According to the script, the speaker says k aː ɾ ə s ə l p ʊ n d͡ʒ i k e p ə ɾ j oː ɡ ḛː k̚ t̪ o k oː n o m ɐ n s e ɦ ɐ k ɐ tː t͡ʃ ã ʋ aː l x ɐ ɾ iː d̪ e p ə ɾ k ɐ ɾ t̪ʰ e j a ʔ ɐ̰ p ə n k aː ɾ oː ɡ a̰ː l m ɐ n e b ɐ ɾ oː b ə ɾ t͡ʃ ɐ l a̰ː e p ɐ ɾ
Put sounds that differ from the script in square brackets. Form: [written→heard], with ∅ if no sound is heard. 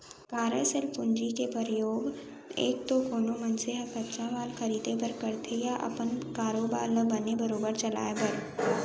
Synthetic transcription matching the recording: k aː ɾ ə s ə l p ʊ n d͡ʒ i k e p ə ɾ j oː ɡ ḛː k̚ t̪ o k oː n o m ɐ n s e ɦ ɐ k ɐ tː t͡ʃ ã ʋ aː l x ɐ ɾ iː d̪ e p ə ɾ k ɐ ɾ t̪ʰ e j a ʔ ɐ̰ p ə n k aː ɾ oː [ɡ→b] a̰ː l [m→b] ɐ n e b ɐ ɾ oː b ə ɾ t͡ʃ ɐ l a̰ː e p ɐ ɾ

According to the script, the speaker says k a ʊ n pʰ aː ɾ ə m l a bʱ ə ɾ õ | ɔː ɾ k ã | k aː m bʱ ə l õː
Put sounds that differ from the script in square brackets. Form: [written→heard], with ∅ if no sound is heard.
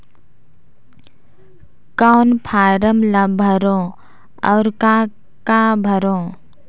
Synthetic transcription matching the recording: k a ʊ n pʰ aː ɾ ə m l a bʱ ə ɾ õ | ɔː ɾ k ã | k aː [m→∅] bʱ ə [l→ɾ] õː

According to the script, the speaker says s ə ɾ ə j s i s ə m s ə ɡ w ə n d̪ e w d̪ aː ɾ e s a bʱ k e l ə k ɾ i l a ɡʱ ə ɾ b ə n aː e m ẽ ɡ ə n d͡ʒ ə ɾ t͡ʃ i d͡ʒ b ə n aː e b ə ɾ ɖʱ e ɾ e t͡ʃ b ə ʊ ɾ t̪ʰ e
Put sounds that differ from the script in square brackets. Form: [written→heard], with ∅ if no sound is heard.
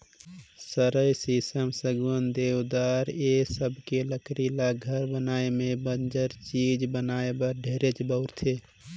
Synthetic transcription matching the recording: s ə ɾ ə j s i s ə m s ə ɡ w ə n d̪ e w d̪ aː ɾ e s [a→ə] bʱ k e l ə k ɾ i l a ɡʱ ə ɾ b ə n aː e m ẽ [ɡ→b] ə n d͡ʒ ə ɾ t͡ʃ i d͡ʒ b ə n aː e b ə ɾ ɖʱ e ɾ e t͡ʃ b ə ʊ ɾ t̪ʰ e

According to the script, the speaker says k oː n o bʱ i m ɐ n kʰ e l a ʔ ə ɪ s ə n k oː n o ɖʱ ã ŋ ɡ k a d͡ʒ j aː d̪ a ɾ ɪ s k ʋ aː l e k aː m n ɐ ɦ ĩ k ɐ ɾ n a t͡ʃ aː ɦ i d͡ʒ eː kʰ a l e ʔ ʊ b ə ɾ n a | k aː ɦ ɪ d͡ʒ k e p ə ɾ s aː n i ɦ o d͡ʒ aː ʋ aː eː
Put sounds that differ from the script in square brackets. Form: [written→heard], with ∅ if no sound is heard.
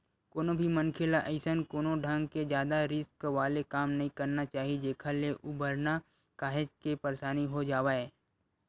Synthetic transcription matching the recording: k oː n o bʱ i m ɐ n kʰ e l a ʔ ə ɪ s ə n k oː n o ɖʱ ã ŋ ɡ k [a→e] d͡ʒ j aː d̪ a ɾ ɪ s k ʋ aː l e k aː m n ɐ ɦ ĩ k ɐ ɾ n a t͡ʃ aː ɦ i d͡ʒ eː kʰ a l e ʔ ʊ b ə ɾ n a | k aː ɦ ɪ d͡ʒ k e p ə ɾ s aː n i ɦ o d͡ʒ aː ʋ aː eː

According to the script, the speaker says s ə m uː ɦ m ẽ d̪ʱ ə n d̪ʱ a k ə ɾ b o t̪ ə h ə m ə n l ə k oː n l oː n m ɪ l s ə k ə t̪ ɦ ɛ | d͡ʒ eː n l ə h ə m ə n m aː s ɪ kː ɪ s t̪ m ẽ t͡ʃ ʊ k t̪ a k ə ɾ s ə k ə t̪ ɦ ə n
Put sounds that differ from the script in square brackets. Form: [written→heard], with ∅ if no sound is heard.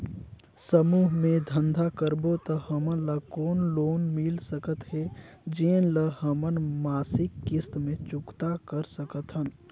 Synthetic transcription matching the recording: s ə m uː ɦ m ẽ d̪ʱ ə n d̪ʱ a k ə ɾ b o t̪ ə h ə m ə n l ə k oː n l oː n m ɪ l s ə k ə t̪ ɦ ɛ | d͡ʒ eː n l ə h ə m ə n m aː s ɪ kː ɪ s t̪ m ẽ t͡ʃ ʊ k t̪ a k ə ɾ s ə k ə t̪ ɦ ə n

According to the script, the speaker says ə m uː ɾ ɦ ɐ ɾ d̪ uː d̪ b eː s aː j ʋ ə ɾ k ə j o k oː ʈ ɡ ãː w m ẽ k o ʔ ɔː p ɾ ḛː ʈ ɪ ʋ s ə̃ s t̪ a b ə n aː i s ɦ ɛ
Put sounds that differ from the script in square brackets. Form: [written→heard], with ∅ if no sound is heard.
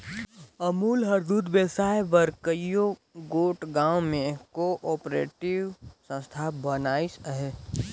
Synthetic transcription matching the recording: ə m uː [ɾ→l] ɦ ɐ ɾ d̪ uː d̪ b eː s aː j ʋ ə ɾ k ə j o [k→ɡ] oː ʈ ɡ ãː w m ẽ k o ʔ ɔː p ɾ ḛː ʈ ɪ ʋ s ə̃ s [t̪→t̪ʰ] a b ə n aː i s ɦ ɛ

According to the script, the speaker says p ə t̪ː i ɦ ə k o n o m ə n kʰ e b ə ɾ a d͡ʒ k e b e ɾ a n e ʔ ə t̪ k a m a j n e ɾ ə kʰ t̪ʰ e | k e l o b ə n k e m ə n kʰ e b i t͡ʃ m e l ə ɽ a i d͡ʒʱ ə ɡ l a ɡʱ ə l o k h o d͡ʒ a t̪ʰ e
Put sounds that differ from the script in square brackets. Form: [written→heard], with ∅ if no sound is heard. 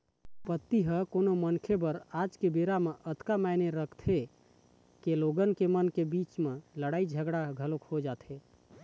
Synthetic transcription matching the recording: p ə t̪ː i ɦ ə k o n o m ə n kʰ e b ə ɾ a d͡ʒ k e b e ɾ a [n→m] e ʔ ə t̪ k a m a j n e ɾ ə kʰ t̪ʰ e | k e l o [b→ɡ] ə n k e m ə n [kʰ→k] e b i t͡ʃ m e l ə ɽ a i d͡ʒʱ ə ɡ [l→ɽ] a ɡʱ ə l o k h o d͡ʒ a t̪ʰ e

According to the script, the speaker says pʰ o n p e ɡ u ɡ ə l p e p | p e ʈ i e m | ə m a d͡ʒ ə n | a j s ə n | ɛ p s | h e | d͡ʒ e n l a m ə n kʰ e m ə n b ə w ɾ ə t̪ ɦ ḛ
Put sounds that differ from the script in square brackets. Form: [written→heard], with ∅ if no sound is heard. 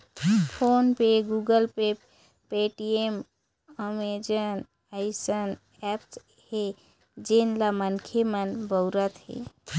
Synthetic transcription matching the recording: pʰ o n p e ɡ u ɡ ə l p e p | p e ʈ i e m | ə m [a→e] d͡ʒ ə n | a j s ə n | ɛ p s | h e | d͡ʒ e n l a m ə n kʰ e m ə n b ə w ɾ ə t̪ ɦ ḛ

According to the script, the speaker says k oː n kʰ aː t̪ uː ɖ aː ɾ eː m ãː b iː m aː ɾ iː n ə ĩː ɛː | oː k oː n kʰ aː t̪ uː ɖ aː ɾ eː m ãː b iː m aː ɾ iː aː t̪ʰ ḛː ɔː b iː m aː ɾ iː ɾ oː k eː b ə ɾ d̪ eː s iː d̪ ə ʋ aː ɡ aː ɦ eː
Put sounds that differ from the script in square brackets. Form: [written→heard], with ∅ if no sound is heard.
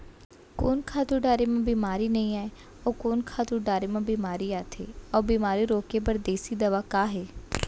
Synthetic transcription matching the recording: k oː n kʰ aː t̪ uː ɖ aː ɾ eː m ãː b iː m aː ɾ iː n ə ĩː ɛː | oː k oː n kʰ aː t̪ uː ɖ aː ɾ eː m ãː b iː m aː ɾ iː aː t̪ʰ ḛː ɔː b iː m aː ɾ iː ɾ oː k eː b ə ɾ d̪ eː s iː d̪ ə ʋ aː [ɡ→k] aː ɦ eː

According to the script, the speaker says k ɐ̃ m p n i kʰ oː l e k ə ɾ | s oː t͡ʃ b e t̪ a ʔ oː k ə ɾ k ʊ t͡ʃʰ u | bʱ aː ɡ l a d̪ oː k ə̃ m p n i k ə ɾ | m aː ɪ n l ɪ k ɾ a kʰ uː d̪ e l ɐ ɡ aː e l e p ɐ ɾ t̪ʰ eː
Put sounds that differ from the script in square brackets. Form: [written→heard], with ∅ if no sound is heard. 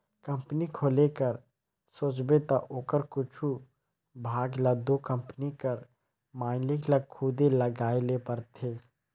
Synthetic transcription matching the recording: k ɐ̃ m p n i kʰ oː l e k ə ɾ | s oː t͡ʃ b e t̪ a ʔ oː k ə ɾ k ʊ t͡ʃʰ u | bʱ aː ɡ l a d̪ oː k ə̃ m p n i k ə ɾ | m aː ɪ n l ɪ k [ɾ→l] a kʰ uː d̪ e l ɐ ɡ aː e l e p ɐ ɾ t̪ʰ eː

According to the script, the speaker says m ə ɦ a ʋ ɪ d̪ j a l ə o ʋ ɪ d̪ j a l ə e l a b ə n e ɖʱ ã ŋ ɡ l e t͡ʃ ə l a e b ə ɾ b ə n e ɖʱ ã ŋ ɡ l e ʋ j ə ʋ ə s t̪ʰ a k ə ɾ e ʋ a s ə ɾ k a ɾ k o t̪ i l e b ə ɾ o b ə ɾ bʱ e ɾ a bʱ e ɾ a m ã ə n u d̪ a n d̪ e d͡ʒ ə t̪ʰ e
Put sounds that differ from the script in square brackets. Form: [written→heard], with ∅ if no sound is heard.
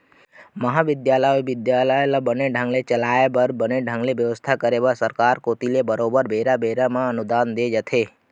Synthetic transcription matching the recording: m ə ɦ a ʋ ɪ d̪ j a l ə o ʋ ɪ d̪ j a l ə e l a b ə n e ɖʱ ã ŋ ɡ l e t͡ʃ ə l a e b ə ɾ b ə n e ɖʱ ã ŋ ɡ l e ʋ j ə ʋ ə s t̪ʰ a k ə ɾ e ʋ a s ə ɾ k a ɾ k o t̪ i l e b ə ɾ o b ə ɾ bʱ e ɾ a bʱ e ɾ a m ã ə n u d̪ a n d̪ e d͡ʒ ə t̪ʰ e

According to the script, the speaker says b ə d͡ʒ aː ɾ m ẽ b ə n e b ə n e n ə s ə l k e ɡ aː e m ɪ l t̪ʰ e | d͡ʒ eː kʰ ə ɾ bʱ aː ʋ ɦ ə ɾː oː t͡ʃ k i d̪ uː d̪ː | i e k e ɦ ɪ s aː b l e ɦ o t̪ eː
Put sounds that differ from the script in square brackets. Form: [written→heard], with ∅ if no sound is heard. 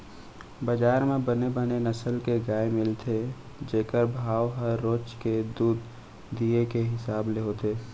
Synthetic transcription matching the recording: b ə d͡ʒ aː ɾ m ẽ b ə n e b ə n e n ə s ə l k e ɡ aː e m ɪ l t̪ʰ e | d͡ʒ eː [kʰ→k] ə ɾ bʱ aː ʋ ɦ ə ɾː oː t͡ʃ k [i→e] d̪ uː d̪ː | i e k e ɦ ɪ s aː b l e ɦ o t̪ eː

